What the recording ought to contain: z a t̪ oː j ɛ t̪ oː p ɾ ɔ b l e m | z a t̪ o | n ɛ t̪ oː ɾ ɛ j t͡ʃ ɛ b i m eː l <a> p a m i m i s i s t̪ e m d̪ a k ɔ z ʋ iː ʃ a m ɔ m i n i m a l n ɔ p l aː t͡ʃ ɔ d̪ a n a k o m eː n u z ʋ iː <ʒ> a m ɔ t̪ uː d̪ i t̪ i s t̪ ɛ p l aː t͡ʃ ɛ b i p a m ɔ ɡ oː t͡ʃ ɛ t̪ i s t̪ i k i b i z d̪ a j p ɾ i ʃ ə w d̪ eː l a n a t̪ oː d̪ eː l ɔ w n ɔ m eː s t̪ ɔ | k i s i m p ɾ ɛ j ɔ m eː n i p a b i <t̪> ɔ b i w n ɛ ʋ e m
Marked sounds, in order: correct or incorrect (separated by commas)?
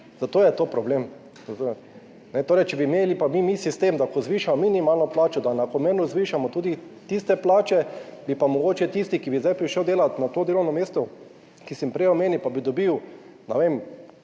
incorrect, incorrect, incorrect